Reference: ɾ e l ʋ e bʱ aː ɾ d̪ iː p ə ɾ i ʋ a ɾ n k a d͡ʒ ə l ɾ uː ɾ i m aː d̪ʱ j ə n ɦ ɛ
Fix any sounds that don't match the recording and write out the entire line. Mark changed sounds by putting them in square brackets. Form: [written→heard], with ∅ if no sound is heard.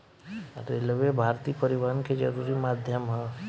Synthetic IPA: ɾ e l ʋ e bʱ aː ɾ [d̪→t̪] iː p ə ɾ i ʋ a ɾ n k [a→e] d͡ʒ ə [l→∅] ɾ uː ɾ i m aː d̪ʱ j ə [n→m] ɦ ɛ